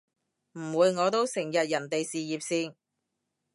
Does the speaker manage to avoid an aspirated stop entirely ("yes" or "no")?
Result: yes